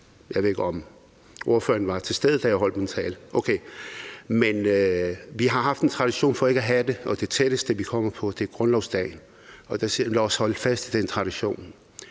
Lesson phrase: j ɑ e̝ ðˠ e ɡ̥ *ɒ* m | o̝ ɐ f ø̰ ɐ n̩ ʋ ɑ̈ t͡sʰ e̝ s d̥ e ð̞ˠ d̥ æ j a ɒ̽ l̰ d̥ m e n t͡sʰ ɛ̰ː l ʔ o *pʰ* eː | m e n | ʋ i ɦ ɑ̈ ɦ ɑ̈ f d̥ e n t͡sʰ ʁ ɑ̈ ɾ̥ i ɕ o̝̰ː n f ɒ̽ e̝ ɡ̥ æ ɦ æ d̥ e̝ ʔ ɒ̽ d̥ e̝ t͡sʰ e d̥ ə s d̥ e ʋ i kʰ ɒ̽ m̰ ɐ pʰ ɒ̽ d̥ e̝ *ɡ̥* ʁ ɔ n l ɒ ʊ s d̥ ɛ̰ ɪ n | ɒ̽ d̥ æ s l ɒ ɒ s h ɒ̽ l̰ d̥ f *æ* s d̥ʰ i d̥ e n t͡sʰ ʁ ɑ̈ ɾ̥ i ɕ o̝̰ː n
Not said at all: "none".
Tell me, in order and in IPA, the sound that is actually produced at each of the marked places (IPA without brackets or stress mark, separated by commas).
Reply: ɒ, kʰ, ɡ̥, æ